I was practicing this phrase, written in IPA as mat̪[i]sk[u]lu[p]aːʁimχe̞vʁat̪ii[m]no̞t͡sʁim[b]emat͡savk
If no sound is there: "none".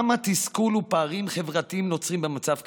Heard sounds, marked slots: i, u, p, m, b

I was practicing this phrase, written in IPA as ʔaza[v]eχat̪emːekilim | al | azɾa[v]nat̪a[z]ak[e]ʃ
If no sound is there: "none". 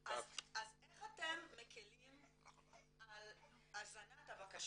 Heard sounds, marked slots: z, none, v, a

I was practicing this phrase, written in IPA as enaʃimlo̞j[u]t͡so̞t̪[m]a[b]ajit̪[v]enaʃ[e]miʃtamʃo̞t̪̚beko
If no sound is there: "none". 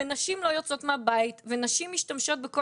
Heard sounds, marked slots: o, m, b, v, i

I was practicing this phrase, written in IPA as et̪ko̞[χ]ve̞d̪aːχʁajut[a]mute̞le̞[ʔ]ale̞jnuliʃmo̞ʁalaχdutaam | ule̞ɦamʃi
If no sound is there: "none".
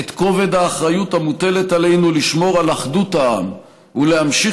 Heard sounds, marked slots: none, a, t

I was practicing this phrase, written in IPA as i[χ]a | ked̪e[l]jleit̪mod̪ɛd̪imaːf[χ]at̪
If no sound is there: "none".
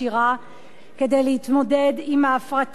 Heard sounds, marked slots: ʁ, none, ʁ

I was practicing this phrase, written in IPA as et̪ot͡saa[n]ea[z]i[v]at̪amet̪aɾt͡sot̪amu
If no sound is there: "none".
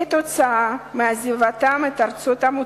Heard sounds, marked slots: m, z, v

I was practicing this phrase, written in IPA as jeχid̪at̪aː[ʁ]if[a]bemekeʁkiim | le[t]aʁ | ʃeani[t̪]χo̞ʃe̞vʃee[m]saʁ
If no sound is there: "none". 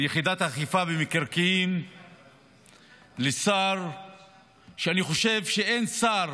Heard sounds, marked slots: χ, a, s, none, n

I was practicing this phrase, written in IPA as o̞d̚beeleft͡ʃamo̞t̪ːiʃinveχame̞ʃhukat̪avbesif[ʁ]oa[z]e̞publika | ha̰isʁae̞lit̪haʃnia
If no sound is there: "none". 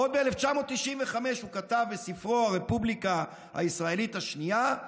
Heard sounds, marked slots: ʁ, ʁ

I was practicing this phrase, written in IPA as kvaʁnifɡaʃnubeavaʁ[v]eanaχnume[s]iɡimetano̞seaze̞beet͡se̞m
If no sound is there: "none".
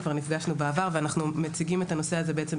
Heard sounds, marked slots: v, t͡s

